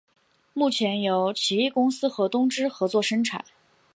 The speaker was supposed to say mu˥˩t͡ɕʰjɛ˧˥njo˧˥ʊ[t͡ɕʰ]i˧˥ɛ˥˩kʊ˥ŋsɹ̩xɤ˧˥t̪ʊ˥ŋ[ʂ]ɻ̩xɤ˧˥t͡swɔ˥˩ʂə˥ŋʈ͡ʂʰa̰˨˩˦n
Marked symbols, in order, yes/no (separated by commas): yes, no